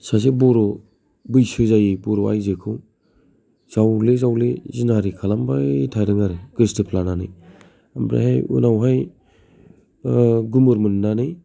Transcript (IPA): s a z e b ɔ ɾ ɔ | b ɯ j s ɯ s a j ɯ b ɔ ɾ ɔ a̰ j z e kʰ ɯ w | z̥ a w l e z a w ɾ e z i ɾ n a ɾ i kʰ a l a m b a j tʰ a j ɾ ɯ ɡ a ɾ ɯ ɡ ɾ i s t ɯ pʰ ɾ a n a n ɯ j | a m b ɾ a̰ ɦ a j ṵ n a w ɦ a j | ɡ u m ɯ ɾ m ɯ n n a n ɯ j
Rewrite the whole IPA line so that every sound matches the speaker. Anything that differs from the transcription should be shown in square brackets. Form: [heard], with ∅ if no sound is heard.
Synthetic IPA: s a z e b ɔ ɾ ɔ | b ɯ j s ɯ [z] a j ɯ b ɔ ɾ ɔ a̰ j z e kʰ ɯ w | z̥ a w l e z a w [l] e z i [∅] n a ɾ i kʰ a l a m b a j tʰ a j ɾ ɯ [ŋ] a ɾ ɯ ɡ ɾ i s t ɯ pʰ [l] a n a n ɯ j | a m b ɾ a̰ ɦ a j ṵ n a w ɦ a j | ɡ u m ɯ ɾ m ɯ n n a n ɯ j